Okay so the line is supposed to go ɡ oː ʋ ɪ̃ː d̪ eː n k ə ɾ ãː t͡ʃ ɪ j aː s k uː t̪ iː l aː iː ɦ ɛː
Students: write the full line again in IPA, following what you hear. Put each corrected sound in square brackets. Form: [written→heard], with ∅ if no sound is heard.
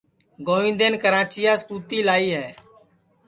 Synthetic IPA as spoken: ɡ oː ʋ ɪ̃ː d̪ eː n k ə ɾ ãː t͡ʃ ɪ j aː s k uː t̪ iː l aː iː ɦ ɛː